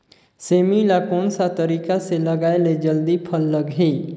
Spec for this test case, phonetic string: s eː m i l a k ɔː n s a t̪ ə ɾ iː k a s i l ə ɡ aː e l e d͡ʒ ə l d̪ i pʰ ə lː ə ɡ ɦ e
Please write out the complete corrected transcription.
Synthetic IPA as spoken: s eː m i l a k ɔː n s a t̪ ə ɾ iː k a s e l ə ɡ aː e l e d͡ʒ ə l d̪ i pʰ ə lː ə ɡ ɦ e